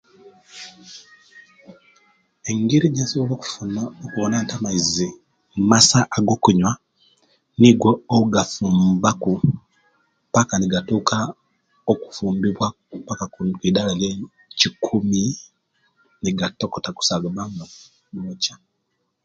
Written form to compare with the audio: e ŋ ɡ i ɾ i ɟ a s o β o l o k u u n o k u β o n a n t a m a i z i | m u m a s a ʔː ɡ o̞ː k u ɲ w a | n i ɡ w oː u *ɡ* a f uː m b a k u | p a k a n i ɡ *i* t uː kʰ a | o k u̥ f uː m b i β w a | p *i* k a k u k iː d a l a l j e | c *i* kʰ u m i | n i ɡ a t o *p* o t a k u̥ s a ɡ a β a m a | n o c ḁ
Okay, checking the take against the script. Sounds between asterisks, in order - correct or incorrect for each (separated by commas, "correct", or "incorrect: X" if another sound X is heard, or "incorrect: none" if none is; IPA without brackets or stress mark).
correct, incorrect: a, incorrect: a, correct, incorrect: k